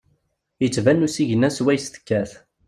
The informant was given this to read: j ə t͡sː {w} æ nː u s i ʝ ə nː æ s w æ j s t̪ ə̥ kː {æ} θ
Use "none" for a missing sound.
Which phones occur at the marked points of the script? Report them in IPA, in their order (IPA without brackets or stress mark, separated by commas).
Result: v, æ